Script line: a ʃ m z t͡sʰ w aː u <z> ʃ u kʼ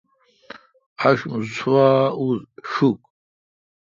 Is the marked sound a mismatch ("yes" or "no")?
no